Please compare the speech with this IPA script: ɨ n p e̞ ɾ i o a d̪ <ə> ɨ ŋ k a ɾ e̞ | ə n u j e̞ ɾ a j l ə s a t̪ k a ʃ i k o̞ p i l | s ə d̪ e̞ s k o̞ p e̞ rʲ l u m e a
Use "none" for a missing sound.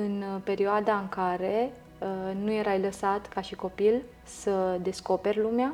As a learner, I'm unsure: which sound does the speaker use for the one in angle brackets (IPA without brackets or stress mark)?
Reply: a